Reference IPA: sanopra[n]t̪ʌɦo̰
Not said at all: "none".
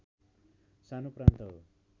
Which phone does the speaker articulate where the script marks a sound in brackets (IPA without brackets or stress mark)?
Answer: n